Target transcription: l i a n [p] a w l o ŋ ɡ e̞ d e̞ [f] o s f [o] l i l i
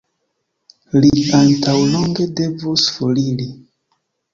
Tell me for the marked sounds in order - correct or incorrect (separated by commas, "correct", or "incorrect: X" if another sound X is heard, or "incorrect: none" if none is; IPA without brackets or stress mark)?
incorrect: t, incorrect: v, correct